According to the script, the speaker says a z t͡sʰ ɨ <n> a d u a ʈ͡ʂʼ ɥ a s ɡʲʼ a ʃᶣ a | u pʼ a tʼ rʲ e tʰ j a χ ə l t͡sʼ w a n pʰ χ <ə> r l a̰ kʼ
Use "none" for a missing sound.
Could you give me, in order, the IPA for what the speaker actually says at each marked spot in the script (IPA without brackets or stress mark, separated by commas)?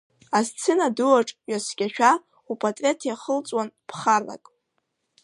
n, a